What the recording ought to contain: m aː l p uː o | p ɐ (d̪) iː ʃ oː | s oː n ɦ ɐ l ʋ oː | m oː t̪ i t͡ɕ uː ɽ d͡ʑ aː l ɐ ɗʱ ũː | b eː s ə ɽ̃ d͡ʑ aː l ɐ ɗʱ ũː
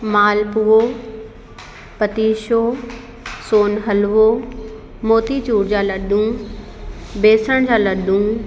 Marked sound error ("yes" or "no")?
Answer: yes